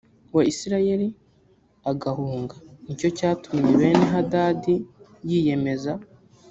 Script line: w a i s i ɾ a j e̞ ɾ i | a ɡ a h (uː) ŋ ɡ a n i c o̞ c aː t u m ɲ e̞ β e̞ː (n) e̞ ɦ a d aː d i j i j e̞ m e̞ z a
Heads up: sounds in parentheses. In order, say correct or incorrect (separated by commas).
correct, correct